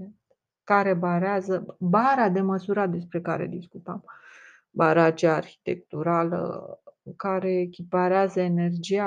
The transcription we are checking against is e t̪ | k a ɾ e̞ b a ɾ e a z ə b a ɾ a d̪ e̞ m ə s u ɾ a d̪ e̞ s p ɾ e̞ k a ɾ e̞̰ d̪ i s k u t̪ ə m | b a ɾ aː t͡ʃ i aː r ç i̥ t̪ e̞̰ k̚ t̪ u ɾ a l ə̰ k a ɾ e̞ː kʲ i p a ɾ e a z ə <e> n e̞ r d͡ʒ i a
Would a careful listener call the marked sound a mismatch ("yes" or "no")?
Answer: no